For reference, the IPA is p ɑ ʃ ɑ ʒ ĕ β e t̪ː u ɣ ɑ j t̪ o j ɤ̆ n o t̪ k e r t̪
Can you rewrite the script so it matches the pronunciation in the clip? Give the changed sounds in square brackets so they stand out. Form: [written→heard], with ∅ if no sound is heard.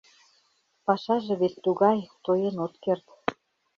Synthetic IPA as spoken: p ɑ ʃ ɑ ʒ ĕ β e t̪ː u ɣ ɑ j t̪ o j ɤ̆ n o t̪ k e r t̪